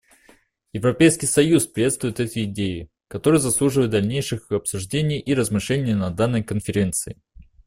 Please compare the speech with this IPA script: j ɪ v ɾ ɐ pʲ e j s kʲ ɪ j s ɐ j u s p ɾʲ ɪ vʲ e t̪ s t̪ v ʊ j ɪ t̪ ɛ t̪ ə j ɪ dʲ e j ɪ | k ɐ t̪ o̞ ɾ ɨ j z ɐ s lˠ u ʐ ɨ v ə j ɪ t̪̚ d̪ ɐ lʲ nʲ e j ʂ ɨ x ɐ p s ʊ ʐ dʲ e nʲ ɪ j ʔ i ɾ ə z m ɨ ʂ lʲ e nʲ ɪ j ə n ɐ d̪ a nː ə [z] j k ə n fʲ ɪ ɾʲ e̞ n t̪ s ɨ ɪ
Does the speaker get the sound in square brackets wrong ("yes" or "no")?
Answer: yes